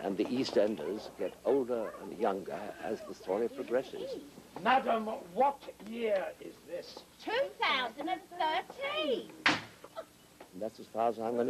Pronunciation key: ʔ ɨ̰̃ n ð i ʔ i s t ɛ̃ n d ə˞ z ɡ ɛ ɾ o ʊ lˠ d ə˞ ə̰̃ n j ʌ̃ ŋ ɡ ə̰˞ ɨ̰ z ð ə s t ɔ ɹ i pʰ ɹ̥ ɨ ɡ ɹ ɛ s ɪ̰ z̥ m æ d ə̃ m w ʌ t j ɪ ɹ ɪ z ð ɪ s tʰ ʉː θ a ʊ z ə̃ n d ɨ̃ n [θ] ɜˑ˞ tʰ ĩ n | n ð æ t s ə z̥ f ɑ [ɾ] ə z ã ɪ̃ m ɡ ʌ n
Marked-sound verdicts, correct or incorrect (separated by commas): correct, incorrect